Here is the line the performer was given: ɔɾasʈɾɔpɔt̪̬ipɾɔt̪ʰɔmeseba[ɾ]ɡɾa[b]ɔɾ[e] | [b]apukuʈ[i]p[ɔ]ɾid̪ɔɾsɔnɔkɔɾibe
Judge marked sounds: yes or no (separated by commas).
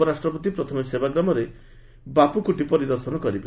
no, no, yes, yes, yes, yes